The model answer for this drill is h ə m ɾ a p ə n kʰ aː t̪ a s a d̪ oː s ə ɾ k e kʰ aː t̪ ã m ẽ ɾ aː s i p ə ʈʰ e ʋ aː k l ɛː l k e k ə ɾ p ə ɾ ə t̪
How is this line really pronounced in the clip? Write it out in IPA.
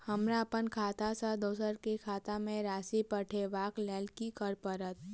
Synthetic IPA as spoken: h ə m ɾ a p ə n kʰ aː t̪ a s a d̪ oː s ə ɾ k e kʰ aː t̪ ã m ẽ ɾ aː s i p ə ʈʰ e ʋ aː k l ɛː l k i k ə ɾ p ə ɾ ə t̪